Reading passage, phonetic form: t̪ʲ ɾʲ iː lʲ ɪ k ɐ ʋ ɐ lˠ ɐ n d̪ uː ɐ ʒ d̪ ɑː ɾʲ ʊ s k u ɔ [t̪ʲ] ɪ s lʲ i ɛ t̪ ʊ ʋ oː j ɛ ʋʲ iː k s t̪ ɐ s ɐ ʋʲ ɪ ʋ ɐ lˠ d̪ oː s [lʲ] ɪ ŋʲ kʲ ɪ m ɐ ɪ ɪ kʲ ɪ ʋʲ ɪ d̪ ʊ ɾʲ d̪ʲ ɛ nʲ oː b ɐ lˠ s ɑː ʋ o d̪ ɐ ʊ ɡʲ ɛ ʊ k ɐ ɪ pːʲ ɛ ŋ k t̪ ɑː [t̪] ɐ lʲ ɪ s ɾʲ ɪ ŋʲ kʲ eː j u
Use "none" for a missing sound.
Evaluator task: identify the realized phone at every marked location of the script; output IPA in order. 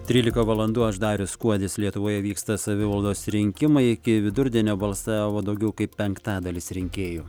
d̪ʲ, ɾʲ, d̪

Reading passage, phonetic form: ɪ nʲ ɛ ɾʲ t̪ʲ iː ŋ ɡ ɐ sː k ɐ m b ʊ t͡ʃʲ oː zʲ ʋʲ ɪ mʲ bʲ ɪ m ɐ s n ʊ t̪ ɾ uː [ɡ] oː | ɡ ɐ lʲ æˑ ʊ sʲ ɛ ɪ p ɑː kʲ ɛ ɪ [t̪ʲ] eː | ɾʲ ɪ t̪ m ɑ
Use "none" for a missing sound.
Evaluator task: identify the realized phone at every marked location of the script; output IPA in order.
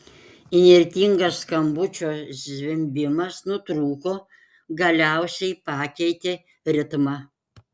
k, t̪ʲ

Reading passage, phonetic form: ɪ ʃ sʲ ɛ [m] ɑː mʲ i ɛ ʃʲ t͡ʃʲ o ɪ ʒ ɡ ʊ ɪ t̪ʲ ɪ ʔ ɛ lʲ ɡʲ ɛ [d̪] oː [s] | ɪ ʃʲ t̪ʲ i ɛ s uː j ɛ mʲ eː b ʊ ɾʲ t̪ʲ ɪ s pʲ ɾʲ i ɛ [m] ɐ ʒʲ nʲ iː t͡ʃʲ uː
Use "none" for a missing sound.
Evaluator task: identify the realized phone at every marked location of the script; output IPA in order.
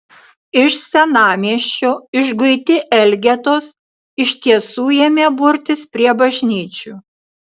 n, t̪, s, b

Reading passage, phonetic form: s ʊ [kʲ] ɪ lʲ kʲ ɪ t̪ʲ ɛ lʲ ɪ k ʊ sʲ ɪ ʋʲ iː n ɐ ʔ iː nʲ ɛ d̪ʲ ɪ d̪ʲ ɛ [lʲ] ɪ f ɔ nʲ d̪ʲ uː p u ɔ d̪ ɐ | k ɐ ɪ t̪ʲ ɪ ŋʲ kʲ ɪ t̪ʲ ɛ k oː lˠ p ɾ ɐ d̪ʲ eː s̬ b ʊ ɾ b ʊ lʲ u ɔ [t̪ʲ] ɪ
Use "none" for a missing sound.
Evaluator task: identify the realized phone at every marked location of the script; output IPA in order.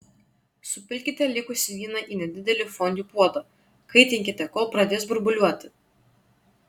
pʲ, lʲ, t̪ʲ

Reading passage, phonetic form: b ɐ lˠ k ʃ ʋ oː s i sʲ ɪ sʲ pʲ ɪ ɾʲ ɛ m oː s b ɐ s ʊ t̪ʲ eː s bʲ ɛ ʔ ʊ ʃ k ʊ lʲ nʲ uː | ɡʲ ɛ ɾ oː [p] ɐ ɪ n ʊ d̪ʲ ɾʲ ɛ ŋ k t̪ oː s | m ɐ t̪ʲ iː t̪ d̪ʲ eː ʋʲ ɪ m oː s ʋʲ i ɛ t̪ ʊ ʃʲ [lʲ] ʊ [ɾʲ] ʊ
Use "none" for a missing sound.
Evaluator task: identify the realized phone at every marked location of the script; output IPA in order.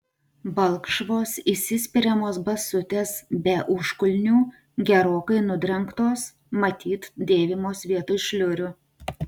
k, lʲ, ɾʲ

